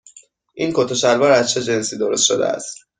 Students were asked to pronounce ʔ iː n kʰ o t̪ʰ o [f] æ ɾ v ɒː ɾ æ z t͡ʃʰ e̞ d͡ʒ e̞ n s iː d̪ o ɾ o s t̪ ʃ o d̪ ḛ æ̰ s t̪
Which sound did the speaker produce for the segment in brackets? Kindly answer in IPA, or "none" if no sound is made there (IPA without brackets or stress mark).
ʃ